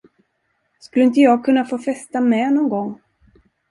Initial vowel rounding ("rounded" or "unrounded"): rounded